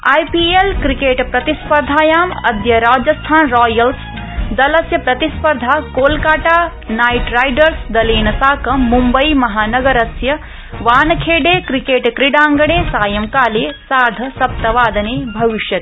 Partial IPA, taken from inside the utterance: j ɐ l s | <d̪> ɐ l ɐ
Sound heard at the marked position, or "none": d̪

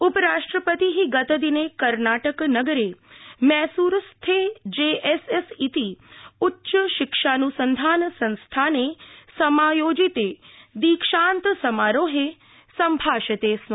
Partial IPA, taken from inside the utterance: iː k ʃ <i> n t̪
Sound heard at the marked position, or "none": a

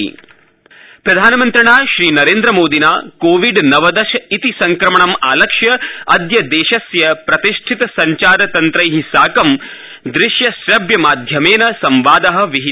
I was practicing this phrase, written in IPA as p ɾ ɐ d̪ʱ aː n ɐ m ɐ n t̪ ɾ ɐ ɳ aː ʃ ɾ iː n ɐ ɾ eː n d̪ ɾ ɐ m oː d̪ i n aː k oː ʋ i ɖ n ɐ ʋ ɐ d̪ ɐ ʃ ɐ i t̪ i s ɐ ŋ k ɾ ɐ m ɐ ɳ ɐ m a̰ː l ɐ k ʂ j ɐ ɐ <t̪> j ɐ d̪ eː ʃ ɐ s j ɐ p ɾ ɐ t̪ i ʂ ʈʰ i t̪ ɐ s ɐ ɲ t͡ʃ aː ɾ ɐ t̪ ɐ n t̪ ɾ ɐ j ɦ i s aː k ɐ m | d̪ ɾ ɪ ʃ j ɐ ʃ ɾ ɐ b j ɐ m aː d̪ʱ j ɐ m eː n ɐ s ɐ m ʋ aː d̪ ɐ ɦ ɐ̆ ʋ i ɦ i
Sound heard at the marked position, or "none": d̪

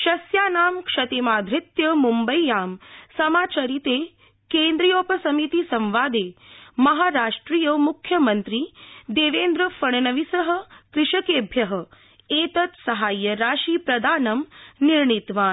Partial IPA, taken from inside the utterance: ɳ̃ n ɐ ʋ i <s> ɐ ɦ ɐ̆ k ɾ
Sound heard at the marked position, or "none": s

